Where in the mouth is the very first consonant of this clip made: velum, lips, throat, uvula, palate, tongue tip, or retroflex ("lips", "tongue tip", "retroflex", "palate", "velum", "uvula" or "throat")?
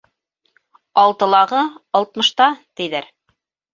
tongue tip